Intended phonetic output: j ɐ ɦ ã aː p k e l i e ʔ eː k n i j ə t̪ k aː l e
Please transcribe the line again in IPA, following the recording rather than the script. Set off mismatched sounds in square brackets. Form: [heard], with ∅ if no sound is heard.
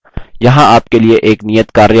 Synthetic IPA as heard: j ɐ ɦ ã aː p k e l i e ʔ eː k n i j ə t̪ k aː [ɾ] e

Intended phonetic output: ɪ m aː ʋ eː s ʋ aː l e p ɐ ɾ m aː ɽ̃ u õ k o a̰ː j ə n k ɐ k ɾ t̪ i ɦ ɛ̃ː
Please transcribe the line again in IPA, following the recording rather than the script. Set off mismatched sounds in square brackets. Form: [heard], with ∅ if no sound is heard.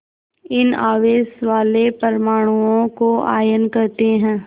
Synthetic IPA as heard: ɪ [n] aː ʋ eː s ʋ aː l e p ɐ ɾ m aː ɽ̃ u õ k o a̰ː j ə n k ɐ [∅] ɾ t̪ [e] ɦ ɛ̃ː

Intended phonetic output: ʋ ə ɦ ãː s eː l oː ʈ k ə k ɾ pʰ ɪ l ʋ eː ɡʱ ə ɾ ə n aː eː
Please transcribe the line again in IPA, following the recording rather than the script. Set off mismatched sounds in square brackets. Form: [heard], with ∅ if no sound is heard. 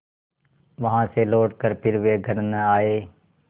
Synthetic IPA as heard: ʋ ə ɦ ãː s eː l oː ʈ k ə [∅] ɾ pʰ ɪ [ɾ] ʋ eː ɡʱ ə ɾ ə n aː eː

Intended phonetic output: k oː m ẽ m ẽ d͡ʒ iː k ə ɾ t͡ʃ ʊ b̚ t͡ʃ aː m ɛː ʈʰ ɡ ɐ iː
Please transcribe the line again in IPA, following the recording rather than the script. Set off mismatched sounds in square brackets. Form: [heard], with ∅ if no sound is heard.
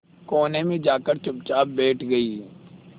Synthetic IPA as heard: k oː [n] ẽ m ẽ d͡ʒ [aː] k ə ɾ t͡ʃ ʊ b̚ t͡ʃ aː [b] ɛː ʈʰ ɡ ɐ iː

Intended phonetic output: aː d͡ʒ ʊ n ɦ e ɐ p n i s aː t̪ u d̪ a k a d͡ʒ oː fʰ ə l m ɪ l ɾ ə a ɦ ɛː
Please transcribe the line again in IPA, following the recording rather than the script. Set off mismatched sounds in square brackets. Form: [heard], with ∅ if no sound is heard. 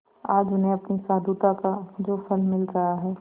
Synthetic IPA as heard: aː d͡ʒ ʊ n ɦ e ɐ p n i s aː [d̪] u [t̪] a k a d͡ʒ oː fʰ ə l m ɪ l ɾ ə a ɦ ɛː

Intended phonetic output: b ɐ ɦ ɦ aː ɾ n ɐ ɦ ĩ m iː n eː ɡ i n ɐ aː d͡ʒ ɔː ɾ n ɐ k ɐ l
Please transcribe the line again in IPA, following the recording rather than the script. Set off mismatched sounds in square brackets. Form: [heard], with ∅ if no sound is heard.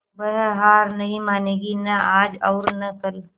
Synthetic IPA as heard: b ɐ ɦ ɦ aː ɾ n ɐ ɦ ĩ m [aː] n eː ɡ i n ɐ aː d͡ʒ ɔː ɾ n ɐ k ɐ l

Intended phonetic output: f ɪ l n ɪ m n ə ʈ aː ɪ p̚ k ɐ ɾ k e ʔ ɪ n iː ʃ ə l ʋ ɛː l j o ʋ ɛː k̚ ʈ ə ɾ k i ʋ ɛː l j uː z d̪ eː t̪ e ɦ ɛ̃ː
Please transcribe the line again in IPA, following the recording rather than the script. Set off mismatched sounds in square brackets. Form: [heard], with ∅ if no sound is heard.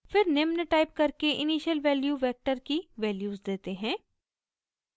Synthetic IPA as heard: f ɪ [ɾ] n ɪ m n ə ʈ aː ɪ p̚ k ɐ ɾ k e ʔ ɪ n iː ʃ ə l ʋ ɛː l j [u] ʋ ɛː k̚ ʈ ə ɾ k i ʋ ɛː l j uː z d̪ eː t̪ e ɦ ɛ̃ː

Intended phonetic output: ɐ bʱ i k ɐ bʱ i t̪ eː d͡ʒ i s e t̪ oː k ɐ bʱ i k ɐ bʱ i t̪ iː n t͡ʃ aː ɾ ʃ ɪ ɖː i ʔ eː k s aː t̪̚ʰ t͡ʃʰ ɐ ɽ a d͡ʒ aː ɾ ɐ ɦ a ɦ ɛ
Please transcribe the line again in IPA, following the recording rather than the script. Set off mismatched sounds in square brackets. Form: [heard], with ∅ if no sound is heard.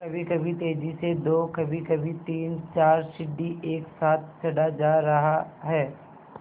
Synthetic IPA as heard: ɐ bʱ i k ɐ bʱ i t̪ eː d͡ʒ i s e [d̪] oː k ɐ bʱ i k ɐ bʱ i t̪ iː n t͡ʃ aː ɾ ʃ ɪ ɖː i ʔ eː k s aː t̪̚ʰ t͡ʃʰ ɐ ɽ a d͡ʒ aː ɾ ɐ ɦ a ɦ [ɛː]

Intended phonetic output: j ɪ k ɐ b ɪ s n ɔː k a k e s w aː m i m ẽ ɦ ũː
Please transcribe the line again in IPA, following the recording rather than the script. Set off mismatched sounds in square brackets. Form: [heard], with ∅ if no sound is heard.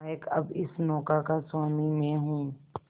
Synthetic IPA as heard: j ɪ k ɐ b ɪ s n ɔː k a k [a] s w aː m i m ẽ ɦ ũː

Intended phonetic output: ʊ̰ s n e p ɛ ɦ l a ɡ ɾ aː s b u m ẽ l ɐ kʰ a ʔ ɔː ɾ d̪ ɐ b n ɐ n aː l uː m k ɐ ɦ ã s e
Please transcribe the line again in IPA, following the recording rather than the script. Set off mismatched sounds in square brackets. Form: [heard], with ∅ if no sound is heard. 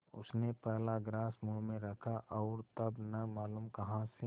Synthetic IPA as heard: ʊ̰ s n e p ɛ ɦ l a ɡ ɾ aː s [m] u m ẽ [ɾ] ɐ kʰ a ʔ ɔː ɾ [t̪] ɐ b n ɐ [m] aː l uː m k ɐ ɦ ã s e

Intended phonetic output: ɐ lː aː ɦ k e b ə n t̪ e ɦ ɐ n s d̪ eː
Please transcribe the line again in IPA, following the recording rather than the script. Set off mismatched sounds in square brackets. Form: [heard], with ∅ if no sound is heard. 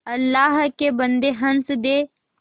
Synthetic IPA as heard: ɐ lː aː ɦ k e b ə n [d̪] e ɦ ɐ n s d̪ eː

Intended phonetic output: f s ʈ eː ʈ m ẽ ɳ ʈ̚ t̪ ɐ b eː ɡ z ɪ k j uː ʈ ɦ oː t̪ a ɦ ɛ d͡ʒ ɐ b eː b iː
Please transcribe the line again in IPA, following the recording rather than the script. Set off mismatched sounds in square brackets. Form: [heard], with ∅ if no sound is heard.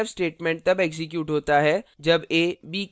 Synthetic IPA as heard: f s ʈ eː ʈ m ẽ ɳ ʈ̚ t̪ ɐ b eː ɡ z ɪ k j uː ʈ ɦ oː t̪ a ɦ ɛ d͡ʒ ɐ b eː b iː

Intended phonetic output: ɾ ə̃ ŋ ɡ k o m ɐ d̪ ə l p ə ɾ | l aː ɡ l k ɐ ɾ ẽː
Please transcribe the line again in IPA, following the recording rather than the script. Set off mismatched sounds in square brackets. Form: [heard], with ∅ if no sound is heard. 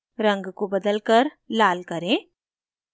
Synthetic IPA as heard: ɾ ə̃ ŋ ɡ k o [b] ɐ d̪ ə l [k] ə ɾ | l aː [∅] l k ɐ ɾ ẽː

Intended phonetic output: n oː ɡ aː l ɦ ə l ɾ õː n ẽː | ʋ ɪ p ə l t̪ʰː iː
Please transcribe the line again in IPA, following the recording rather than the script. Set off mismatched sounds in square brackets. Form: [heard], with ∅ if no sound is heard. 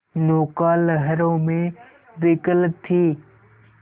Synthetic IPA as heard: n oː [k] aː l ɦ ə [∅] ɾ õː [m] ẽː | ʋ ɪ [k] ə l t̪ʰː iː

